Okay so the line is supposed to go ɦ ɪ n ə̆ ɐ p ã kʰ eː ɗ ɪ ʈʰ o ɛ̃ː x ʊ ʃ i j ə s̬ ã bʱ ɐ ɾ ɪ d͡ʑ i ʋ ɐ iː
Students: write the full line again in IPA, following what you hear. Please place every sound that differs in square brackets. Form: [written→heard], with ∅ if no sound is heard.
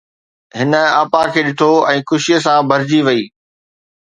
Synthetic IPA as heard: ɦ ɪ n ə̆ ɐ p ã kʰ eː ɗ ɪ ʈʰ o ɛ̃ː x ʊ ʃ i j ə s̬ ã bʱ ɐ ɾ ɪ d͡ʑ i ʋ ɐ iː

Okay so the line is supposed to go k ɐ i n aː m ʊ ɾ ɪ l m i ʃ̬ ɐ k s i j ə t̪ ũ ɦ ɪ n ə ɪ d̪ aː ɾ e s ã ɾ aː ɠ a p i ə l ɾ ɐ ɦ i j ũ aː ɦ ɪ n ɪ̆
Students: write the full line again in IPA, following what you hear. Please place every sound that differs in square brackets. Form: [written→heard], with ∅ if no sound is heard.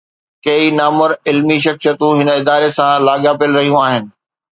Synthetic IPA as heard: k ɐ i n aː m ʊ ɾ ɪ l m i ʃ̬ ɐ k s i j ə t̪ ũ ɦ ɪ n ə ɪ d̪ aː ɾ e s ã [ɾ→l] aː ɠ a p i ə l ɾ ɐ ɦ i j ũ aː ɦ ɪ n ɪ̆

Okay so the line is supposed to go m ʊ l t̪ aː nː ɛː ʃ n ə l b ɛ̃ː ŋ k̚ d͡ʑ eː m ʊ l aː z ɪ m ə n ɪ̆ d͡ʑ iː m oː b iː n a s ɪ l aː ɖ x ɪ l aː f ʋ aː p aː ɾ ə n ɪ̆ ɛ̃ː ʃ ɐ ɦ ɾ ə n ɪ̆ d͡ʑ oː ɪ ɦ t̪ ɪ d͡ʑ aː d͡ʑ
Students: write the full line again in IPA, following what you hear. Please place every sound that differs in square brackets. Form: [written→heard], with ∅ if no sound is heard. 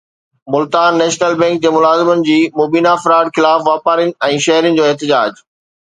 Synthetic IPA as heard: m ʊ l t̪ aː nː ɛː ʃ n ə l b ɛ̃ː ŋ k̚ d͡ʑ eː m ʊ l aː z ɪ m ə n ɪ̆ d͡ʑ iː m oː b iː n a [s→f] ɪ [l→ɾ] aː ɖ x ɪ l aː f ʋ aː p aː ɾ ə n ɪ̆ ɛ̃ː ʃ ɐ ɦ ɾ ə n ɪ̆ d͡ʑ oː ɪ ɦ t̪ ɪ d͡ʑ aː d͡ʑ

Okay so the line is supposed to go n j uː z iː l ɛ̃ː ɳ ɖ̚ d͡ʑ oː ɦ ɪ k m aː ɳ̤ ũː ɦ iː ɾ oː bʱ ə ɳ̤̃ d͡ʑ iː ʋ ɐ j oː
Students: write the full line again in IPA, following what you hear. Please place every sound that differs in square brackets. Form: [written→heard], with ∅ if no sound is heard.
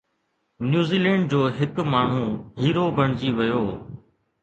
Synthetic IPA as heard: n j uː z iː l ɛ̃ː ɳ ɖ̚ d͡ʑ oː ɦ ɪ k m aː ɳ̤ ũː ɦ iː ɾ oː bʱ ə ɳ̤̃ d͡ʑ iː ʋ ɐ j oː

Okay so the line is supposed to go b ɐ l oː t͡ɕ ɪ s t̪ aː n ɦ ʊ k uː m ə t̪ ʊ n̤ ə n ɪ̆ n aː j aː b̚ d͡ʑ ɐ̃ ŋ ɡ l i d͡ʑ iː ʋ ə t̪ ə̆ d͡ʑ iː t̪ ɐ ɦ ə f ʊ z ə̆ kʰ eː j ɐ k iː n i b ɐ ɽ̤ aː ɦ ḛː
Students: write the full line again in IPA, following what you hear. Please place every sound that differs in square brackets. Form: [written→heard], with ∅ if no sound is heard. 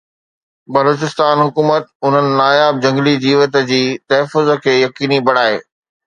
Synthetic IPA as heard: b ɐ l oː t͡ɕ ɪ s t̪ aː n ɦ ʊ k uː m ə t̪ ʊ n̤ ə n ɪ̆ n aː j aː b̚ d͡ʑ ɐ̃ ŋ ɡ l i d͡ʑ iː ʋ ə t̪ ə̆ d͡ʑ iː t̪ ɐ ɦ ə f ʊ z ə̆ kʰ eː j ɐ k iː n i b ɐ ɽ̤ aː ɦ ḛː

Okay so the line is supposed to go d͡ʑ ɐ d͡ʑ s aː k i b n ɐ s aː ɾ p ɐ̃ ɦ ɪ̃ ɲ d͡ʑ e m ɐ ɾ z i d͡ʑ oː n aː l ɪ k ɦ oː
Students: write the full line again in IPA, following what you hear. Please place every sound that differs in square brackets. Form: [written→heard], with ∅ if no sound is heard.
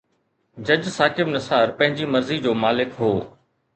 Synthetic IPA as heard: d͡ʑ ɐ d͡ʑ s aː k [i→ɪ] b n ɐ s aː ɾ p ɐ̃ ɦ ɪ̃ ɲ d͡ʑ [e→i] m ɐ ɾ z i d͡ʑ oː [n→m] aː l ɪ k ɦ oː

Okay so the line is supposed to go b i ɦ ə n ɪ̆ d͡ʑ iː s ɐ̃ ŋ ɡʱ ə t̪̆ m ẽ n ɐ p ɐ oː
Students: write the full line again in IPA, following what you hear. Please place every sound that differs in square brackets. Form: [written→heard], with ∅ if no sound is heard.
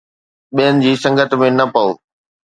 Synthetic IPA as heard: [b→ɓ] i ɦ ə n ɪ̆ d͡ʑ iː s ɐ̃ ŋ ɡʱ ə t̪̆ m ẽ n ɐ p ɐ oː

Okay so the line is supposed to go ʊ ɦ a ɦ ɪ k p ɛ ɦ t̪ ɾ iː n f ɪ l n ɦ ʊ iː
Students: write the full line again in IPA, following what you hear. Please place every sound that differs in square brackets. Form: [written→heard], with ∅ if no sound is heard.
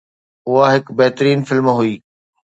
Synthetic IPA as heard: ʊ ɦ a ɦ ɪ k [p→b] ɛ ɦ t̪ ɾ iː n f ɪ l [n→m] ɦ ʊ iː

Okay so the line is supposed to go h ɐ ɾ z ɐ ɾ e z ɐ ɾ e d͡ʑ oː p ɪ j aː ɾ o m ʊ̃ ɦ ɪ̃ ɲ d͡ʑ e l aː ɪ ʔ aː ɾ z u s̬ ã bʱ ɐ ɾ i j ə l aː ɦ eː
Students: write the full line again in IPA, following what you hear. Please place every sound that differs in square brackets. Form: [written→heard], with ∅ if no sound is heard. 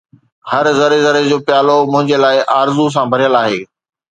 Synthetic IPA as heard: h ɐ ɾ z ɐ ɾ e z ɐ ɾ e d͡ʑ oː p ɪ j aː [ɾ→l] o m ʊ̃ ɦ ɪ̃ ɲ d͡ʑ e l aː ɪ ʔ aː ɾ z u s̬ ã bʱ ɐ ɾ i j ə l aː ɦ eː

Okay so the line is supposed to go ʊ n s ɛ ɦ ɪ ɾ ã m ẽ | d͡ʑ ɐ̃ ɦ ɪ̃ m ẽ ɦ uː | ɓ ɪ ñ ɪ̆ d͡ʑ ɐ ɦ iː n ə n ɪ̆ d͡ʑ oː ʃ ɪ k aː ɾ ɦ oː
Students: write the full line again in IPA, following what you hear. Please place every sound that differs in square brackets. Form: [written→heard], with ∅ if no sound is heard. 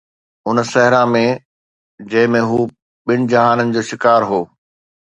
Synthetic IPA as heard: ʊ n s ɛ ɦ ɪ ɾ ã m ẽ | d͡ʑ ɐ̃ ɦ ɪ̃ m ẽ ɦ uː | ɓ ɪ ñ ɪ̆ d͡ʑ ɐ ɦ [iː→aː] n ə n ɪ̆ d͡ʑ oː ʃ ɪ k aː ɾ ɦ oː

